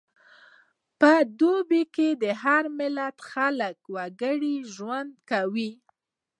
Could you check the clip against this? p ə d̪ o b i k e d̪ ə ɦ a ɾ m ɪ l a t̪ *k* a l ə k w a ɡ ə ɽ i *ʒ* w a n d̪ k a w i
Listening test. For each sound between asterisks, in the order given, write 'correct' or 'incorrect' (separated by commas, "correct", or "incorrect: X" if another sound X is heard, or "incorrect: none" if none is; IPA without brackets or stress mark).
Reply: incorrect: x, correct